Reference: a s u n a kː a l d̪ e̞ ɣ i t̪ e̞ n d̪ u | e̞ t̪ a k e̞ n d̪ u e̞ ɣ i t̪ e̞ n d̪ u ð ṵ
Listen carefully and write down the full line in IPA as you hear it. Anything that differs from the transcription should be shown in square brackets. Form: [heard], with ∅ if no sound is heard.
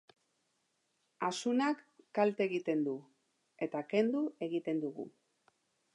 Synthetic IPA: a s u n a kː a l [t̪] e̞ ɣ i t̪ e̞ n d̪ u | e̞ t̪ a k e̞ n d̪ u e̞ ɣ i t̪ e̞ n d̪ u [ɣ] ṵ